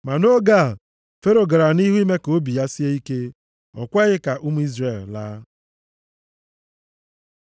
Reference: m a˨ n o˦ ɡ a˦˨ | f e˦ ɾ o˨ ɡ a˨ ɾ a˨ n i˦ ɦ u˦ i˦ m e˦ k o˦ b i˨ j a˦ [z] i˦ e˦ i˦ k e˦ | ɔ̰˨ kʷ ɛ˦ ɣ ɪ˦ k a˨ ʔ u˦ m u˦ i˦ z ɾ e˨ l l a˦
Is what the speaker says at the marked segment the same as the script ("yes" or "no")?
no